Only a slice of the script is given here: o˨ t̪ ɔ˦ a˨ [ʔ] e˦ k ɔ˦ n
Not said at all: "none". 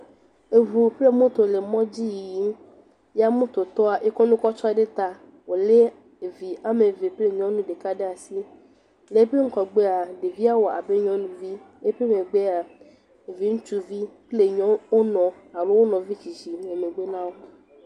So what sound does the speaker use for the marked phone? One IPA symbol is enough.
ʔ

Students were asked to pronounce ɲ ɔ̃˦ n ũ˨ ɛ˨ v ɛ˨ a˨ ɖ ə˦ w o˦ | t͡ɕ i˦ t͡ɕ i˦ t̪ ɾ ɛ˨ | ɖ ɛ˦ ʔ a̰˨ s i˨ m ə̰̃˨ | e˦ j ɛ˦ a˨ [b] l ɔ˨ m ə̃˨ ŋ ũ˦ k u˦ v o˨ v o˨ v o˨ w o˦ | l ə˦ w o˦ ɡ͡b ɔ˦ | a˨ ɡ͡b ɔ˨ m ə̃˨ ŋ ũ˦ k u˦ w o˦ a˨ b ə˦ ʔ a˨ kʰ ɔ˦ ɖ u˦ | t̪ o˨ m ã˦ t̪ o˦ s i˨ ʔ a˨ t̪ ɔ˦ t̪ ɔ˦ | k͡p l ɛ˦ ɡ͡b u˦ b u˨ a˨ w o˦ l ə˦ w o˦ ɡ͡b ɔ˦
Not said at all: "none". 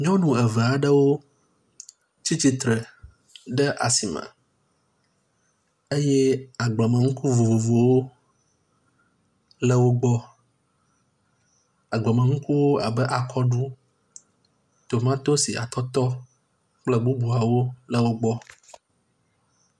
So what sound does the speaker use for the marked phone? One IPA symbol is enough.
ɡ͡b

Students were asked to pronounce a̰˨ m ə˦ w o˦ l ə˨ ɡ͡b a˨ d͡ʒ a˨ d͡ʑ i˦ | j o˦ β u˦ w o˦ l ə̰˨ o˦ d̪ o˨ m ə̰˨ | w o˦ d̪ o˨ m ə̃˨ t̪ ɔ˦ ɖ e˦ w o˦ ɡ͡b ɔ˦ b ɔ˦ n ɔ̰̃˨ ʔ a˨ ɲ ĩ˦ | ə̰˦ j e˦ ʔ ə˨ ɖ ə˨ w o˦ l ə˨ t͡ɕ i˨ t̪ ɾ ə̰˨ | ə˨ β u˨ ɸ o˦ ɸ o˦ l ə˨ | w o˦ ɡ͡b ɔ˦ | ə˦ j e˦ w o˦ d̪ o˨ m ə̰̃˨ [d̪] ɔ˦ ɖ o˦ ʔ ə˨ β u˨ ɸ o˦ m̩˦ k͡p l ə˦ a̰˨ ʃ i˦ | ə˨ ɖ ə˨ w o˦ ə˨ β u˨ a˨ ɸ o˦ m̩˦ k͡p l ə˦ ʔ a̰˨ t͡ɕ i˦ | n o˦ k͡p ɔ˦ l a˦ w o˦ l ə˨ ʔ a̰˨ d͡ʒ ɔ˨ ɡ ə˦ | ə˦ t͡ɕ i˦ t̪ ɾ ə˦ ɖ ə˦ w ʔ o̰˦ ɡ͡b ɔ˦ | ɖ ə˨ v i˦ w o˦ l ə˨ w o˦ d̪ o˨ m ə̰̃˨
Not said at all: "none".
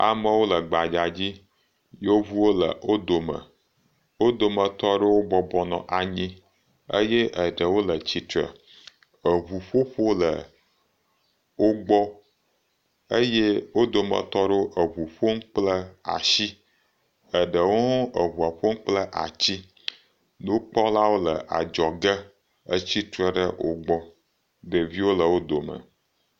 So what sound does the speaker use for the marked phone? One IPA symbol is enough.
t̪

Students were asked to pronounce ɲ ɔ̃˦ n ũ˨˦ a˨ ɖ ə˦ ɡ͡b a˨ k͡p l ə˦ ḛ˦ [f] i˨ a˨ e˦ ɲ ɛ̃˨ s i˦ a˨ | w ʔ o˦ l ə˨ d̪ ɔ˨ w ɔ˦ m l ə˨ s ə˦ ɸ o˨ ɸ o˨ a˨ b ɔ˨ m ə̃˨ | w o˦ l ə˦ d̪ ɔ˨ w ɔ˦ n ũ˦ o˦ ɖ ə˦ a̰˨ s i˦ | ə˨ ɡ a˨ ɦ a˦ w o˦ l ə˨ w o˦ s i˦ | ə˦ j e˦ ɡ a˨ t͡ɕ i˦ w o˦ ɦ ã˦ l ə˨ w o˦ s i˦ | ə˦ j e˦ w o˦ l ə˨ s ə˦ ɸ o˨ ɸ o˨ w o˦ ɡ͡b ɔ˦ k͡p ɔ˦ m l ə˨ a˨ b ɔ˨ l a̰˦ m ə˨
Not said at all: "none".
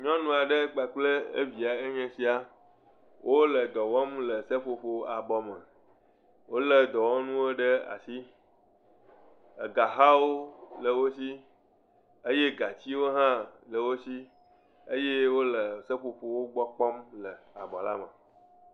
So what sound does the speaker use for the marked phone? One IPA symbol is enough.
v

